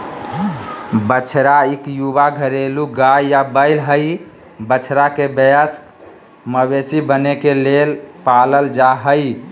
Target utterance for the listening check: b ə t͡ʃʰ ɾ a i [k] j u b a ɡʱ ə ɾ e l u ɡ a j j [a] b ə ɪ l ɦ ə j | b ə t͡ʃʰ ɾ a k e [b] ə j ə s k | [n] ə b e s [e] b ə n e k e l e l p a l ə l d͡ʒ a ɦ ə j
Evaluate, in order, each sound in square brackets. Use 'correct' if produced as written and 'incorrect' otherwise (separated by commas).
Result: correct, correct, correct, incorrect, incorrect